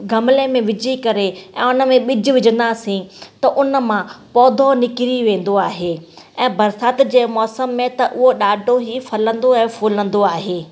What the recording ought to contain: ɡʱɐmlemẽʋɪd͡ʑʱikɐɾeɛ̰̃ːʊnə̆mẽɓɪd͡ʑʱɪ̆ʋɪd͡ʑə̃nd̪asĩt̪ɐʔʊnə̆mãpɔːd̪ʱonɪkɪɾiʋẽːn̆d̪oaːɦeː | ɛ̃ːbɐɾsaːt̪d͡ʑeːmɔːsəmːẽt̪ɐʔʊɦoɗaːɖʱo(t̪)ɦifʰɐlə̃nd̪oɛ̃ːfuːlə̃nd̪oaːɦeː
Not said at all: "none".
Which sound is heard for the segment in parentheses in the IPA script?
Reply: none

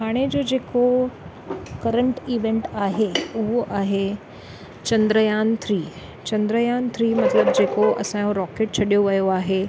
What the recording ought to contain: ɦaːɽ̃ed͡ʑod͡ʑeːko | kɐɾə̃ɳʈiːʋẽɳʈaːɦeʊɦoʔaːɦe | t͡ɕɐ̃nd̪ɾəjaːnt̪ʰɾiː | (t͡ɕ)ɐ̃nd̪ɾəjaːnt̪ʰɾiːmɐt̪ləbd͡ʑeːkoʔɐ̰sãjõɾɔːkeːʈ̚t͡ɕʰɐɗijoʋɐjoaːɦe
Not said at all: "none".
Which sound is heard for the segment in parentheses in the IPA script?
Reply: t͡ɕ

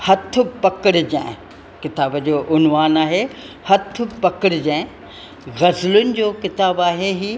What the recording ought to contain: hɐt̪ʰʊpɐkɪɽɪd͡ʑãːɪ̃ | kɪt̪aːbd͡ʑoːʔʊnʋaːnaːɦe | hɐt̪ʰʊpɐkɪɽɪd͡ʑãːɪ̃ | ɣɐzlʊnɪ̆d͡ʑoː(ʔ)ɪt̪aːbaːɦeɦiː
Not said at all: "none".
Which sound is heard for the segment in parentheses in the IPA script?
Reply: k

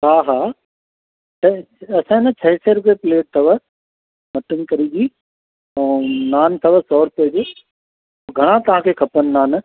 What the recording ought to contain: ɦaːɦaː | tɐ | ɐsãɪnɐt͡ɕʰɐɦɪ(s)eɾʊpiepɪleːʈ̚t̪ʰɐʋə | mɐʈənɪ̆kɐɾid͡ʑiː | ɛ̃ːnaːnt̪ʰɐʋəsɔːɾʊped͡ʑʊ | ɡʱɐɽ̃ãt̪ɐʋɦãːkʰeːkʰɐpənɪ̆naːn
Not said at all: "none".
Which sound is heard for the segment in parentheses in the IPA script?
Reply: s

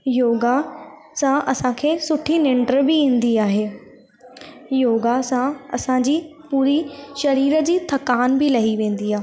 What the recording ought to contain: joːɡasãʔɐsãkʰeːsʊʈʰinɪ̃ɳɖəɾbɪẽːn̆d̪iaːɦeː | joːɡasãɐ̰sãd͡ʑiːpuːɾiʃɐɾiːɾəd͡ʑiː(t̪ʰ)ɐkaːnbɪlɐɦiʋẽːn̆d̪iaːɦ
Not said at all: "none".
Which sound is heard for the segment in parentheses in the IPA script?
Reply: t̪ʰ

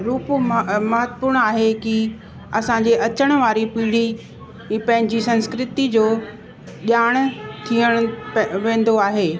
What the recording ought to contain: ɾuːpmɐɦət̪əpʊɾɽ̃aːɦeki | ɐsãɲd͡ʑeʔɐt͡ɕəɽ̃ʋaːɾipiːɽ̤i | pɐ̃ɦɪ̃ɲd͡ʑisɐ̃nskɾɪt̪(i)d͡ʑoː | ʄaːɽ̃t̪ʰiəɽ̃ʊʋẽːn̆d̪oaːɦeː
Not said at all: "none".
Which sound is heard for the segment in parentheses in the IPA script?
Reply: i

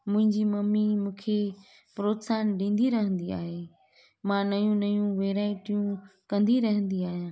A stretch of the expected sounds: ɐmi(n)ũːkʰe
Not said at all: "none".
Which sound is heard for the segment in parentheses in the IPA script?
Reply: m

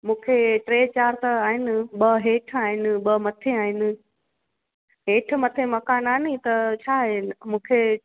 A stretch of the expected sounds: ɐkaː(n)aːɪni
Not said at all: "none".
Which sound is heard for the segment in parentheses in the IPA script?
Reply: n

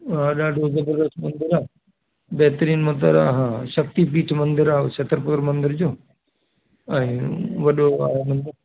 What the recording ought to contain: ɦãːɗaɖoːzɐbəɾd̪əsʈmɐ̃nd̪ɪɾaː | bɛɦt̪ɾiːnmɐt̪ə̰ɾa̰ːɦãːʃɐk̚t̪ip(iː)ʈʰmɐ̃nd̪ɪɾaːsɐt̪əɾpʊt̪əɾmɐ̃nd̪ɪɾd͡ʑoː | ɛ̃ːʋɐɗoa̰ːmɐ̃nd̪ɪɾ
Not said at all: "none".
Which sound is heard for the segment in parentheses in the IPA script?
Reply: iː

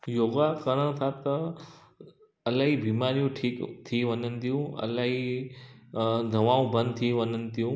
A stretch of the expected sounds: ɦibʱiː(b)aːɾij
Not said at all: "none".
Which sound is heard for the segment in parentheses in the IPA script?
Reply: m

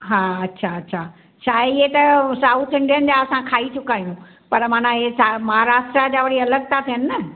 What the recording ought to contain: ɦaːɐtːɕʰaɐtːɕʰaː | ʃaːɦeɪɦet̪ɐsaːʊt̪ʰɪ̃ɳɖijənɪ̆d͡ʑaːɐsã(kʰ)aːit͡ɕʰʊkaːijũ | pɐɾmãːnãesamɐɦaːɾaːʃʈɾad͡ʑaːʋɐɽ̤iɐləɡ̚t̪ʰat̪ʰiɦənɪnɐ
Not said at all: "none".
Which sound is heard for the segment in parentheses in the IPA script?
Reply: kʰ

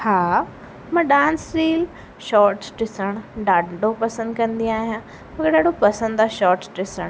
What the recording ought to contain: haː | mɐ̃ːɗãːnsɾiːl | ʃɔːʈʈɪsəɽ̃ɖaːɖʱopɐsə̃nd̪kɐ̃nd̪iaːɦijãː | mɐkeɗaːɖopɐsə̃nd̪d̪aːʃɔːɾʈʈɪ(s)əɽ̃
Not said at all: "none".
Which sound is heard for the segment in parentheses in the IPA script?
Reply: s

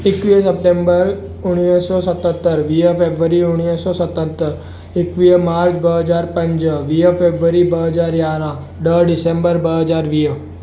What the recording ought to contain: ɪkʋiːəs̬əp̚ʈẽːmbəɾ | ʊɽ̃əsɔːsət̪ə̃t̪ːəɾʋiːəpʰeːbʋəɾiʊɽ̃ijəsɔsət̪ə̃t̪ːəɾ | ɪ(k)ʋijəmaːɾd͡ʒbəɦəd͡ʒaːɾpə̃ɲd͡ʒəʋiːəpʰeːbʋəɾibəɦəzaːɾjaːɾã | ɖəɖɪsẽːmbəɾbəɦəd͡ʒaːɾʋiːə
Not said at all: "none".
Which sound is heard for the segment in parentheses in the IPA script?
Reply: k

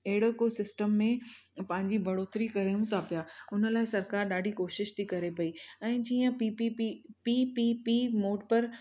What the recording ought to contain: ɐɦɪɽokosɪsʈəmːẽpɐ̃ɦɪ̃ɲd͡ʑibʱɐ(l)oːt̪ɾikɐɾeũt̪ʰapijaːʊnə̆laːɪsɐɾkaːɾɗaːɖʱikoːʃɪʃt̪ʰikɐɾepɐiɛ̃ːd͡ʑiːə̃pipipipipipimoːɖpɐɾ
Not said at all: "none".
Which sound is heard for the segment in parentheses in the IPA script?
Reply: ɽ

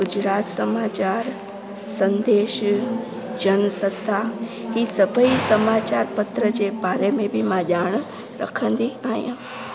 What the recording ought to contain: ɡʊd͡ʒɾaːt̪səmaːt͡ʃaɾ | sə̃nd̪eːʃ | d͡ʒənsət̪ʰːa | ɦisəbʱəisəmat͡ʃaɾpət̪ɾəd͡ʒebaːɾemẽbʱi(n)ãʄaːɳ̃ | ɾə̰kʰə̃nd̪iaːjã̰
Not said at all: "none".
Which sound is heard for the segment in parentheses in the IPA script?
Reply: m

